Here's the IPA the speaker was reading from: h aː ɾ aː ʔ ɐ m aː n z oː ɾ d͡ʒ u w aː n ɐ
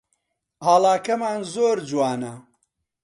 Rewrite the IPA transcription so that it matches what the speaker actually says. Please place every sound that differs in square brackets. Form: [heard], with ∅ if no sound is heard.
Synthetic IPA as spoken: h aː [l] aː [k] ɐ m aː n z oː ɾ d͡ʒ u w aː n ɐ